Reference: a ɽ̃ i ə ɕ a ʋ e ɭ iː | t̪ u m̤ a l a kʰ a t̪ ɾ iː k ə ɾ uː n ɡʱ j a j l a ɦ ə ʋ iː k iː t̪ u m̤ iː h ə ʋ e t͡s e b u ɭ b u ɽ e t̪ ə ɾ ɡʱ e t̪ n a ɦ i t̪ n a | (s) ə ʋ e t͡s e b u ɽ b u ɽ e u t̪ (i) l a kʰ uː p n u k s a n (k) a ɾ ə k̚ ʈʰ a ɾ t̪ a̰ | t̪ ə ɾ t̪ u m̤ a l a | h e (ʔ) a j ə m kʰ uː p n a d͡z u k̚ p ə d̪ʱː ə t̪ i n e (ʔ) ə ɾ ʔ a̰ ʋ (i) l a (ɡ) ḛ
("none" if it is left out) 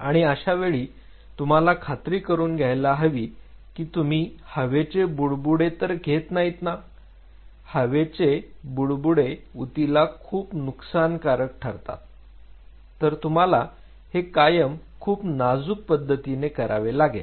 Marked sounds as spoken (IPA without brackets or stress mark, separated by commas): h, i, k, k, k, e, ɡ